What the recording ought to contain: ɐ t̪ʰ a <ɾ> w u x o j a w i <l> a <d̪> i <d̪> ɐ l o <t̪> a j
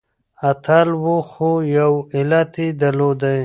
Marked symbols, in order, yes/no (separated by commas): no, yes, no, yes, no